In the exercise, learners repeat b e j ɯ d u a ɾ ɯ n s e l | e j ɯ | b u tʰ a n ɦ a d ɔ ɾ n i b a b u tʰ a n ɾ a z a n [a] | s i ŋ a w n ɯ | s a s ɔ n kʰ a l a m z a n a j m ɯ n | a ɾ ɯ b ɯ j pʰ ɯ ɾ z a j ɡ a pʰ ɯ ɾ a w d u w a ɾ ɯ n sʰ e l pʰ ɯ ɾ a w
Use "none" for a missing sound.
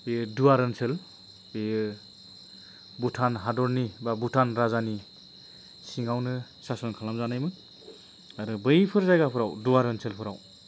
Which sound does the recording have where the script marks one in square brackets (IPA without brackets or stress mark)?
i